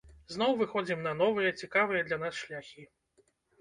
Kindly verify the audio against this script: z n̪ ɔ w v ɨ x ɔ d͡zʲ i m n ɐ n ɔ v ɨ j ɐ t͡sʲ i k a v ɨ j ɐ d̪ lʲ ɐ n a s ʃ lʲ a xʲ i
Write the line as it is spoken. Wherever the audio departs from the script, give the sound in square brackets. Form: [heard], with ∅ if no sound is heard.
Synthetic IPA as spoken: z n̪ ɔ w v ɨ x ɔ d͡zʲ i m n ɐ n ɔ v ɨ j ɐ t͡sʲ i k a v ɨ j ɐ d̪ lʲ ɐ n a s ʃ lʲ a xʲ i